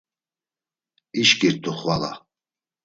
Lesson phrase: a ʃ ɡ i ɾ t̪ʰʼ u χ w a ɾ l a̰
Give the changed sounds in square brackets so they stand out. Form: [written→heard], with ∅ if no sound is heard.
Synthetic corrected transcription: [a→i] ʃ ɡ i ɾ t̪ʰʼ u χ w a [ɾ→∅] l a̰